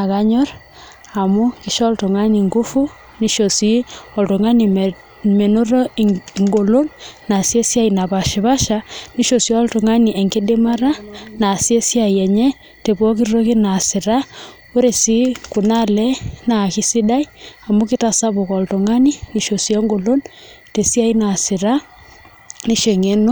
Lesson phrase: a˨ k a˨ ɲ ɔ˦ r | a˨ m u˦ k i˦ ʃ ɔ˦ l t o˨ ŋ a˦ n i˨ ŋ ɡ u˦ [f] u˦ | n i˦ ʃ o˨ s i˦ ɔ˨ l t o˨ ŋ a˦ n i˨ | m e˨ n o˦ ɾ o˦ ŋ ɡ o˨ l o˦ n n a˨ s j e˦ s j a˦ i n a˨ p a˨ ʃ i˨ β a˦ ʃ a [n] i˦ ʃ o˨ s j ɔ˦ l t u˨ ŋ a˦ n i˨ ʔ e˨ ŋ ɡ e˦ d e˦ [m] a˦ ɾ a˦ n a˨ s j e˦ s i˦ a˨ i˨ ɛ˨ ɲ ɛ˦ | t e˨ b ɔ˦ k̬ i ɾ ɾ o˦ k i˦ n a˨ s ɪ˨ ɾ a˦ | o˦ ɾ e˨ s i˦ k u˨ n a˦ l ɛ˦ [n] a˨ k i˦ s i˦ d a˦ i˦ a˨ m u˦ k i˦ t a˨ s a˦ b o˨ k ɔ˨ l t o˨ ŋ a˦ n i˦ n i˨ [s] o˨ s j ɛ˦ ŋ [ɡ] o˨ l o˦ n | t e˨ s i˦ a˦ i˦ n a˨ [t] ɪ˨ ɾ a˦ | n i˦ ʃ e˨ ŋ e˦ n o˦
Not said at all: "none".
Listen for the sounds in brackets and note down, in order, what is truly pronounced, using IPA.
f, n, m, n, ʃ, ɡ, s

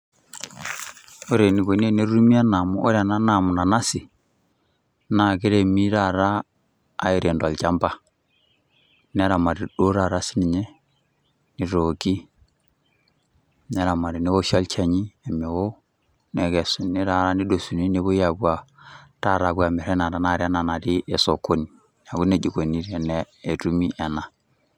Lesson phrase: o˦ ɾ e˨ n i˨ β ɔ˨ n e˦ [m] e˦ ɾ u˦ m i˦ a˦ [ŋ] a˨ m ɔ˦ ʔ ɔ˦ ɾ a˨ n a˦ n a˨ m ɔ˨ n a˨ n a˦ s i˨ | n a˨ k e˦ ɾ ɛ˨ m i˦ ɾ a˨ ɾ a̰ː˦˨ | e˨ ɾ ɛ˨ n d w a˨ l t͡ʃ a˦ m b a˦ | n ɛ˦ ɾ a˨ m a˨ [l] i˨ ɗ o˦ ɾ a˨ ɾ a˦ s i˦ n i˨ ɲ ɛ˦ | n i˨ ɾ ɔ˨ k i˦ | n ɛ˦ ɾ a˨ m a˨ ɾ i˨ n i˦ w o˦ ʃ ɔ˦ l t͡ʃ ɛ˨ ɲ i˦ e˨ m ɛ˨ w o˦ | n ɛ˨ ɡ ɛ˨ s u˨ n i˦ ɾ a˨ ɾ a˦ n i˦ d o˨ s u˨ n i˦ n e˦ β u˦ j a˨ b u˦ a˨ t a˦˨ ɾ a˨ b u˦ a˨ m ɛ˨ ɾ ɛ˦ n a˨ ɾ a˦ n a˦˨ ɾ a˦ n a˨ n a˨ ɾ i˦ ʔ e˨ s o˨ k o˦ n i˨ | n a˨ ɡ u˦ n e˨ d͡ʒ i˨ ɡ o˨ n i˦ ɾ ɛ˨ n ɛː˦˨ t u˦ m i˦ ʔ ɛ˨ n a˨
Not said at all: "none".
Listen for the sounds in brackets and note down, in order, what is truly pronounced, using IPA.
n, n, ɾ

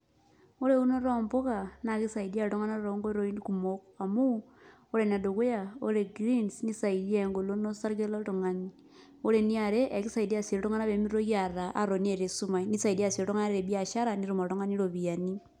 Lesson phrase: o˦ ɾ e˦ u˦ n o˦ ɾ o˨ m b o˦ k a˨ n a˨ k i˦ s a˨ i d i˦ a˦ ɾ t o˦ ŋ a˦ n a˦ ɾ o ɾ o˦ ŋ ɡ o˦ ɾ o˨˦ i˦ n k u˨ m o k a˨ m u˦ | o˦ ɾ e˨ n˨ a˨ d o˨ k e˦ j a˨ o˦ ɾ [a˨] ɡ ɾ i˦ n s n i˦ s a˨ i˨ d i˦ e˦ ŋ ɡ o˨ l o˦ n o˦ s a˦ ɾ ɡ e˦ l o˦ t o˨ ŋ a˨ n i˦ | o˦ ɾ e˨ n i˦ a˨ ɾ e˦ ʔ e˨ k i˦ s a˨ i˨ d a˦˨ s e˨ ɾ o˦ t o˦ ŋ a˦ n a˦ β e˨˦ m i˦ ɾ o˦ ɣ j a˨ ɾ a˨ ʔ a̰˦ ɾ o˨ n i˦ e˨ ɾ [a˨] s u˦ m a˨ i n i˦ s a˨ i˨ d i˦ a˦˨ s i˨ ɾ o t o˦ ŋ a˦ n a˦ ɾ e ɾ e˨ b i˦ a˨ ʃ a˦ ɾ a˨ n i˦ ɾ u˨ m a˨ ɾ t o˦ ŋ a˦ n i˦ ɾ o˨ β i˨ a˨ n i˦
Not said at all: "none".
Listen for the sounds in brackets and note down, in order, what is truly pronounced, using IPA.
e˨, e˨

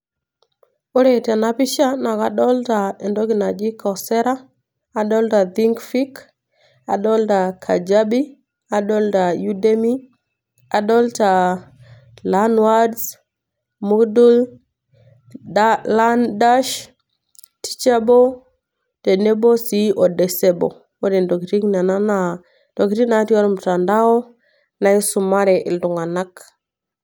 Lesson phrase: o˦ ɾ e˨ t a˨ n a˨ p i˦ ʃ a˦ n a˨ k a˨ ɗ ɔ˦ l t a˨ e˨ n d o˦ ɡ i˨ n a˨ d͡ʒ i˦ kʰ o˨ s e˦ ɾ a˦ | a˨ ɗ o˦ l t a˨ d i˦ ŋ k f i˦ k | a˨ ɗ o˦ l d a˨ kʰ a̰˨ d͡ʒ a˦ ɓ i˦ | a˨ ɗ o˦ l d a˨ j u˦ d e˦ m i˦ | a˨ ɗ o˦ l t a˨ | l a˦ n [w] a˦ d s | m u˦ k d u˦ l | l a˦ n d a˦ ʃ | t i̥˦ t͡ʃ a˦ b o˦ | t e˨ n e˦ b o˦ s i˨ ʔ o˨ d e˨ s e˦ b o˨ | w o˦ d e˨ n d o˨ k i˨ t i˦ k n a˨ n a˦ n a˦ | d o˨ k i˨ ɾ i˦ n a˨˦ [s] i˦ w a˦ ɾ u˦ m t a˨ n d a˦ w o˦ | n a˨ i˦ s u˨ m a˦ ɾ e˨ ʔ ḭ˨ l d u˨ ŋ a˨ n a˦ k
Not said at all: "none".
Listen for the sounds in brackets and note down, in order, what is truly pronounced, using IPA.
w, t

